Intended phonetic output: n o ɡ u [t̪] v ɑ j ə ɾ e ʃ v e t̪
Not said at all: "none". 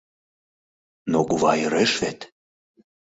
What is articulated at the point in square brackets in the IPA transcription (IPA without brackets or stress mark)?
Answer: none